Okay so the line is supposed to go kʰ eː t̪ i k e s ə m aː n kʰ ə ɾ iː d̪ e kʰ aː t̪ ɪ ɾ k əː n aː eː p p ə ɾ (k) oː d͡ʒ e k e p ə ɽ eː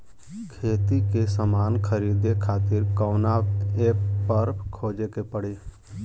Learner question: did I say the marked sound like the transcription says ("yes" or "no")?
no